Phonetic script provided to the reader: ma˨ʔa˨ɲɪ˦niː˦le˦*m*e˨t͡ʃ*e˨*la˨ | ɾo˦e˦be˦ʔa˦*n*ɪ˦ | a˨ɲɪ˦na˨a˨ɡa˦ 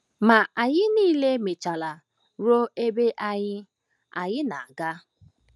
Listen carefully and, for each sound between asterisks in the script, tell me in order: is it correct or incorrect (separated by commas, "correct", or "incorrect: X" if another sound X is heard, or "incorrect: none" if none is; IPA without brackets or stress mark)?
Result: correct, incorrect: a˨, incorrect: ɲ